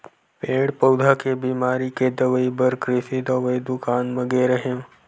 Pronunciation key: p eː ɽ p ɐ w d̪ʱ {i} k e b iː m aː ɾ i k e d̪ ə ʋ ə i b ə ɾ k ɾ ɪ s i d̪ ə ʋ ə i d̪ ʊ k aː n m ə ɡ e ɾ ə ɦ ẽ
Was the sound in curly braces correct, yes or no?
no